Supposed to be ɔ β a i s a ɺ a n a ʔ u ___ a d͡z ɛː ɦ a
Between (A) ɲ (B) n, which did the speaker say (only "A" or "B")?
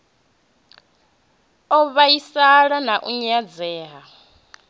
A